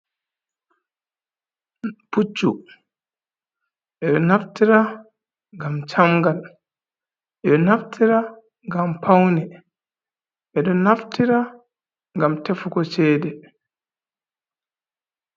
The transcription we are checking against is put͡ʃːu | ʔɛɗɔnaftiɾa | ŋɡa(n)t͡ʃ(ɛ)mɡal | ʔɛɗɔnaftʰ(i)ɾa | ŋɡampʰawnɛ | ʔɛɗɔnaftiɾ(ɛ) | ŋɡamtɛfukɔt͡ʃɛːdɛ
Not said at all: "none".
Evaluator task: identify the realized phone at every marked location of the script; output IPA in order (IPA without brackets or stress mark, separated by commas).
m, a, i, a